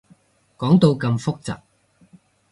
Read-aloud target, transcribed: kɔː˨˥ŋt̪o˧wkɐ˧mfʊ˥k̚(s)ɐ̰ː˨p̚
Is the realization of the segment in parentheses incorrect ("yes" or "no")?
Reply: yes